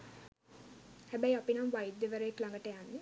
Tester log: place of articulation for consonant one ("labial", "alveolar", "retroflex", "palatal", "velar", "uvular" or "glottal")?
glottal